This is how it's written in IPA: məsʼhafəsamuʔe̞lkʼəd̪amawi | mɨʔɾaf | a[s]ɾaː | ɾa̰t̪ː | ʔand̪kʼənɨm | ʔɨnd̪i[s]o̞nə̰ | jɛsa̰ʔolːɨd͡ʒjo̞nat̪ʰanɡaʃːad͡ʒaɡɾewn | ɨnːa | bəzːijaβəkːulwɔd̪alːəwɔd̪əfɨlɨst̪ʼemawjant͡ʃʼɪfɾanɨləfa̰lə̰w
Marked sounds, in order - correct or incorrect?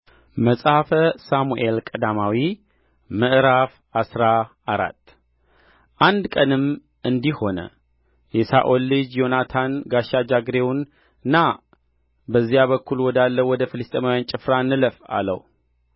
correct, incorrect

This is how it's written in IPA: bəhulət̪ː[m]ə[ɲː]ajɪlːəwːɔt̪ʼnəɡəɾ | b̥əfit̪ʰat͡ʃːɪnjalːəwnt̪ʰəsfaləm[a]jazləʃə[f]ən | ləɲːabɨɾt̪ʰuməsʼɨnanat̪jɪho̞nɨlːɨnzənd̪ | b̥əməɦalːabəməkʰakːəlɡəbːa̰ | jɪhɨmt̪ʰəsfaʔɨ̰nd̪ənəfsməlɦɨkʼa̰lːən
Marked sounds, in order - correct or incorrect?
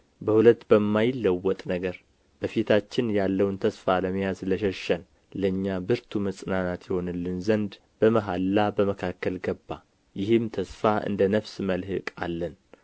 incorrect, incorrect, incorrect, incorrect

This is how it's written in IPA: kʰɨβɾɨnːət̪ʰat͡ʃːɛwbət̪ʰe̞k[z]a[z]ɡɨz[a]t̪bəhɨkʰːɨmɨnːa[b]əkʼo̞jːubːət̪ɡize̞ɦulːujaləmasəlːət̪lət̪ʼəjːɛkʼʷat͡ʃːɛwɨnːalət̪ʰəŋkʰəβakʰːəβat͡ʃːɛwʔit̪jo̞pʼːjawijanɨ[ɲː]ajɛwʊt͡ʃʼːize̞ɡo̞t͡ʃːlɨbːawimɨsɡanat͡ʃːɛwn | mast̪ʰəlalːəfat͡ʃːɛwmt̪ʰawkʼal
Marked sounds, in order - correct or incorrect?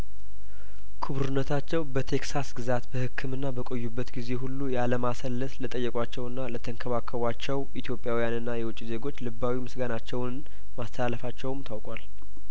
incorrect, incorrect, correct, correct, incorrect

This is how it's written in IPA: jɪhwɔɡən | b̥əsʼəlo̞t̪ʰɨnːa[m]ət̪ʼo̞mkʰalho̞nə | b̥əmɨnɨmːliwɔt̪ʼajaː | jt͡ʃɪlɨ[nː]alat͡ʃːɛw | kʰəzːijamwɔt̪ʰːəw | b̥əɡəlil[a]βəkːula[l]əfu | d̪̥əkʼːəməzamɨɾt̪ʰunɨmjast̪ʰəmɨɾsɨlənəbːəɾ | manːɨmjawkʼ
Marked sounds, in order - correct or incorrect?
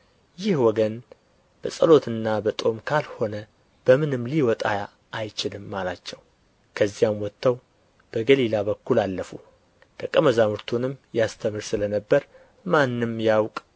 incorrect, incorrect, correct, incorrect

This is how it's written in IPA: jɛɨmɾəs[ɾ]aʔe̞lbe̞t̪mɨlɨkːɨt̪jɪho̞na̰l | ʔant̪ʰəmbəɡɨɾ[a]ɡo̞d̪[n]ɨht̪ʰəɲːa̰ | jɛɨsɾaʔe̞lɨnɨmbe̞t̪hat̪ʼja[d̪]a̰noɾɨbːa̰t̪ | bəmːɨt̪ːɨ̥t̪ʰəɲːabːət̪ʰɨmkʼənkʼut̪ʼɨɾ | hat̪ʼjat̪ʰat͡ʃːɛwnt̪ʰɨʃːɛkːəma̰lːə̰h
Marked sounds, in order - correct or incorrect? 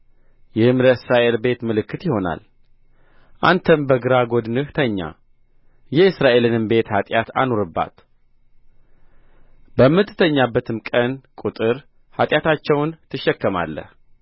correct, correct, correct, incorrect

